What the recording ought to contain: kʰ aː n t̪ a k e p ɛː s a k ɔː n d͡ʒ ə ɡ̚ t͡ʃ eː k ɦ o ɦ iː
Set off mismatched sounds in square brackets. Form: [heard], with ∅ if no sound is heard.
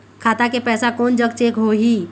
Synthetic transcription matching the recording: kʰ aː [∅] t̪ a k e p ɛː s a k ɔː n d͡ʒ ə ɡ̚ t͡ʃ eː k ɦ o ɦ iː